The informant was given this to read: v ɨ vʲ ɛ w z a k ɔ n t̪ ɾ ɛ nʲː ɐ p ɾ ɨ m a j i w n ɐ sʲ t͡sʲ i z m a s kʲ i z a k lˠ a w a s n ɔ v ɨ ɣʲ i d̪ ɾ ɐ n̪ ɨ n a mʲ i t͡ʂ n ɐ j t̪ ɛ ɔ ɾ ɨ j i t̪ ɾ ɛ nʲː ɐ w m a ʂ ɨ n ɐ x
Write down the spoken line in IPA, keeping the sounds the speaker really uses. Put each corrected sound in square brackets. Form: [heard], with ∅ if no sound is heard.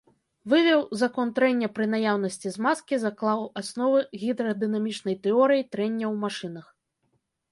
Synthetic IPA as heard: v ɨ vʲ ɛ w z a k ɔ n t̪ ɾ ɛ nʲː ɐ p ɾ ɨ [n] a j [a] w n ɐ sʲ t͡sʲ i z m a s kʲ i z a k lˠ a w a s n ɔ v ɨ ɣʲ i d̪ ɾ ɐ [d̪] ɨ n a mʲ i t͡ʂ n ɐ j t̪ ɛ ɔ ɾ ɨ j i t̪ ɾ ɛ nʲː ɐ w m a ʂ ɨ n ɐ x